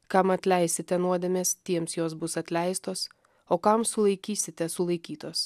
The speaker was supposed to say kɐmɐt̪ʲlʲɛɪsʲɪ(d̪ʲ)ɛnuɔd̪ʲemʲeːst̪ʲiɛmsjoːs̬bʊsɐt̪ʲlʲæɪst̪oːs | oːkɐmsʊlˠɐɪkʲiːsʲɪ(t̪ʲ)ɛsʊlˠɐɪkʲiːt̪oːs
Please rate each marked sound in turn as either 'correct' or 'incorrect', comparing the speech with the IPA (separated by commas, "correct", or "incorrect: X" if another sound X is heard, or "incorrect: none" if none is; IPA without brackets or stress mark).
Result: incorrect: t̪ʲ, correct